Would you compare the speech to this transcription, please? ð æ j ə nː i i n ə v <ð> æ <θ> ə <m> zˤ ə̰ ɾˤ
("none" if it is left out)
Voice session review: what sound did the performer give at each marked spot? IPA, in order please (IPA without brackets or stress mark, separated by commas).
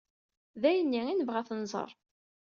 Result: ʁ, θ, n